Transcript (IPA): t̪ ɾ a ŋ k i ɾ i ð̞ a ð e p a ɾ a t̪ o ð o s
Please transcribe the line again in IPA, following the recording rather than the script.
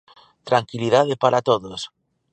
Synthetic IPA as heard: t̪ ɾ a ŋ k i l i ð̞ a ð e p a ɾ a t̪ o ð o s